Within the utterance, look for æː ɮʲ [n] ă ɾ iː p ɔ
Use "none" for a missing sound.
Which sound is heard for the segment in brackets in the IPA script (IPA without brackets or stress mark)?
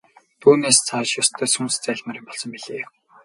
m